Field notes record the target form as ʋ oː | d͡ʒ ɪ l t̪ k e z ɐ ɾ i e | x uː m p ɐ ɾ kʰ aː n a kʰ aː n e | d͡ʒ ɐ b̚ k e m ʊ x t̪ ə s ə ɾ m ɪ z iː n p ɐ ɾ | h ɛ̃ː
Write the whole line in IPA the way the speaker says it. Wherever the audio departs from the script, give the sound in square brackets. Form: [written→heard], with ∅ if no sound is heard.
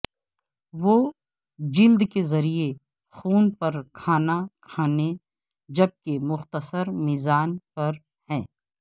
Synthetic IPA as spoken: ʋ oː | d͡ʒ ɪ l [t̪→d̪] k e z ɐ ɾ i e | x uː [m→n] p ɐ ɾ kʰ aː n a kʰ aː n e | d͡ʒ ɐ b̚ k e m ʊ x t̪ ə s ə ɾ m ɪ z [iː→aː] n p ɐ ɾ | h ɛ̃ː